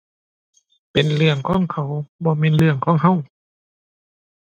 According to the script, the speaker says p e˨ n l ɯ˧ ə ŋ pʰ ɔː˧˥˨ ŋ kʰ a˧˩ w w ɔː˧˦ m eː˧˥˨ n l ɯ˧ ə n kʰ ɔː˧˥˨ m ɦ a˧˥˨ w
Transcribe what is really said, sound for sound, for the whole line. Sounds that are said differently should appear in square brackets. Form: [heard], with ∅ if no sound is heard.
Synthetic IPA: p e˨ n l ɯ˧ ə ŋ [kʰ] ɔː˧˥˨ ŋ kʰ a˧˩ w [b] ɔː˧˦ m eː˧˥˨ n l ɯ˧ ə [ŋ] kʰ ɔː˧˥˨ [ŋ] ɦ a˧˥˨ w